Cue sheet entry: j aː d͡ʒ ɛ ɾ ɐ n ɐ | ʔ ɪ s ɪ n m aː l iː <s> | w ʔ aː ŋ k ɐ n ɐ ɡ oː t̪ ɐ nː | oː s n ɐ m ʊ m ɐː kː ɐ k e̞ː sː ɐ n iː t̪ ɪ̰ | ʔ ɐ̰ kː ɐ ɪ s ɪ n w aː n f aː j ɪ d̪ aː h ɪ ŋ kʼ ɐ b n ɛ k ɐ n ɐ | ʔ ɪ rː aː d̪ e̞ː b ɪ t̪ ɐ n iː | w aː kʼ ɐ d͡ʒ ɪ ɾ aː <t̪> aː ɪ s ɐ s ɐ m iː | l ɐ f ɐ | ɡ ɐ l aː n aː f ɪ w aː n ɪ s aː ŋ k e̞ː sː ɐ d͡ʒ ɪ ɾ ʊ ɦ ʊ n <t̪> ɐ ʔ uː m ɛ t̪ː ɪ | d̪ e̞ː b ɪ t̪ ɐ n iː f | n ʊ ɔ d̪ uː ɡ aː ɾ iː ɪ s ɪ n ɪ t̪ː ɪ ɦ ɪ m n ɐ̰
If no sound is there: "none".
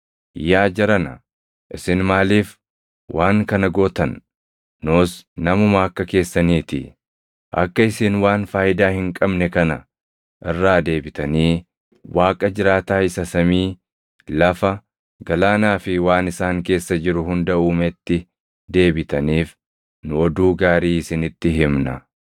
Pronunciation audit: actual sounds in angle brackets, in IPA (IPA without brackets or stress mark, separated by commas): f, t̪, d̪